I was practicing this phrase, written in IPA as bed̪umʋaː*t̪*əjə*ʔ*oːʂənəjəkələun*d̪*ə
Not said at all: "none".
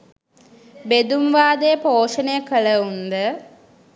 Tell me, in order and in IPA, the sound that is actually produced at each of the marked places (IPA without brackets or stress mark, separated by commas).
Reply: d̪, p, d̪